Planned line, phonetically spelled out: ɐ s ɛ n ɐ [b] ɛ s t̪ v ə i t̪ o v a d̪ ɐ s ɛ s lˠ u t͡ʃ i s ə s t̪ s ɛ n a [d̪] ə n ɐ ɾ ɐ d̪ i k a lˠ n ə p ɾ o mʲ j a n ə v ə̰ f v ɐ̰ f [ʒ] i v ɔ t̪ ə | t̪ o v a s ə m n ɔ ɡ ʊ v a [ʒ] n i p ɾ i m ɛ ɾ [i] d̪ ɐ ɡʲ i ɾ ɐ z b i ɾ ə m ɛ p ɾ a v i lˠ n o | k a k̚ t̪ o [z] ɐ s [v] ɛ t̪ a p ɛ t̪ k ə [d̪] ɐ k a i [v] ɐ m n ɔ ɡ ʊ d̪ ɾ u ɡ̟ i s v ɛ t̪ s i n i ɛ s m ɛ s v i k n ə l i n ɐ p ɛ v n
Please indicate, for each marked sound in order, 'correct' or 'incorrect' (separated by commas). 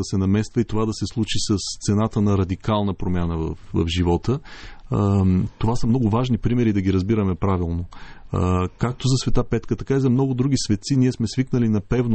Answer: incorrect, incorrect, correct, correct, correct, correct, correct, incorrect, incorrect